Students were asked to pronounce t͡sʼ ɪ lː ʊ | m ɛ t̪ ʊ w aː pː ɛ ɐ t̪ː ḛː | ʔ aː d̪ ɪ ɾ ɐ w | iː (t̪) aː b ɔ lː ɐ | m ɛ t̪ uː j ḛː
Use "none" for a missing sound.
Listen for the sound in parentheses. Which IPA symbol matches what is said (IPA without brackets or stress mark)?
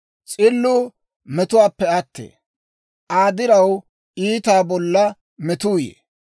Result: t̪